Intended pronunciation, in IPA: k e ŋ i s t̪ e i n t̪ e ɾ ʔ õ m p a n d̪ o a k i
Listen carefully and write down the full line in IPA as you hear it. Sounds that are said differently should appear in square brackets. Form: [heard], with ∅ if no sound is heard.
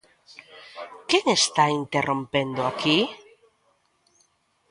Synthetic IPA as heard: k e ŋ [e] s t̪ [a] i n t̪ e [r] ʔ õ m p [e] n d̪ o a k i